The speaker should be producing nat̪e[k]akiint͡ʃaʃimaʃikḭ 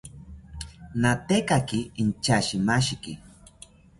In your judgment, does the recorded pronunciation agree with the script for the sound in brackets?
yes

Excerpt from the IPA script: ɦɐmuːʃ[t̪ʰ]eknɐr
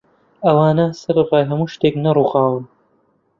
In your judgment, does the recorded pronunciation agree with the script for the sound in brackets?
no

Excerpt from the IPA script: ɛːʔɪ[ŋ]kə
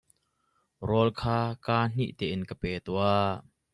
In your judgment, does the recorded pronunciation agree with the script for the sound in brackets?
no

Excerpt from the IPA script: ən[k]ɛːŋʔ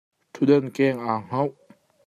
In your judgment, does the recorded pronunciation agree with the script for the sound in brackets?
yes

